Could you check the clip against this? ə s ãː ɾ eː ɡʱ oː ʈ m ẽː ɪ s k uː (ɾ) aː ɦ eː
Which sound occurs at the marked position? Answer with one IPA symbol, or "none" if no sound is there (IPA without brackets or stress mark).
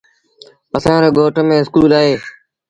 l